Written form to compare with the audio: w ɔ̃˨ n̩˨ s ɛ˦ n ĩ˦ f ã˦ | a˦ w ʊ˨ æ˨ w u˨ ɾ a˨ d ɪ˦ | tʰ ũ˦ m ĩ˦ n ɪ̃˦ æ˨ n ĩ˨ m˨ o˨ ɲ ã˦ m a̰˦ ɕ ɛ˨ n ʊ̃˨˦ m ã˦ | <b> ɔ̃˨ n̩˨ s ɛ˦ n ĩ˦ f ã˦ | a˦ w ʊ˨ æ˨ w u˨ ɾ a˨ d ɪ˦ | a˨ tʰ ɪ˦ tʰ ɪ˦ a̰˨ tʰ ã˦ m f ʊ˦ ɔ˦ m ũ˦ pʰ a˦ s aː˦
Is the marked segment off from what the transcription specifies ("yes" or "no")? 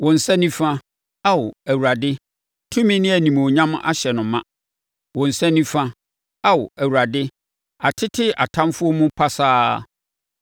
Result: yes